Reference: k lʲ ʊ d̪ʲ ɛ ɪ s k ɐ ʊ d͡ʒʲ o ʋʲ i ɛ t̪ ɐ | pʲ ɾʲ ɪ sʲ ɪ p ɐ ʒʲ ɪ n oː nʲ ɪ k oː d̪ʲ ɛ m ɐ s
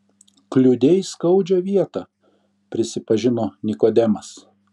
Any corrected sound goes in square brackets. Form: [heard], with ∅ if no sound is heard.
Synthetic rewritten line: k lʲ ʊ d̪ʲ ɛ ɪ s k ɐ ʊ d͡ʒʲ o ʋʲ i ɛ t̪ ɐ | pʲ ɾʲ ɪ sʲ ɪ p ɐ ʒʲ ɪ n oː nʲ ɪ k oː d̪ʲ ɛ m ɐ s